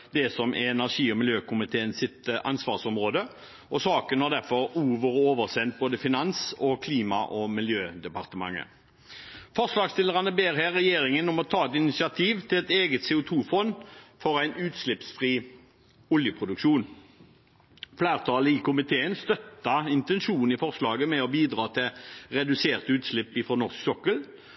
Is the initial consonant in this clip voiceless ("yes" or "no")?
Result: no